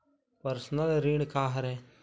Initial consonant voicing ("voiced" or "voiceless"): voiceless